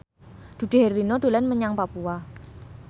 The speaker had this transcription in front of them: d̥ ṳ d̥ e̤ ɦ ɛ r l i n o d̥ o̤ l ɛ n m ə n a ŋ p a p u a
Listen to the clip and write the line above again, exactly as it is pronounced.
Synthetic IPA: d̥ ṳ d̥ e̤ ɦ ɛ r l i n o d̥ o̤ l ɛ n m ə ɲ a ŋ p a p u a